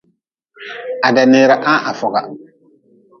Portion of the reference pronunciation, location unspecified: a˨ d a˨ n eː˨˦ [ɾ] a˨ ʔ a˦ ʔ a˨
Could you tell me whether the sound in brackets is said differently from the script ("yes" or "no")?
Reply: no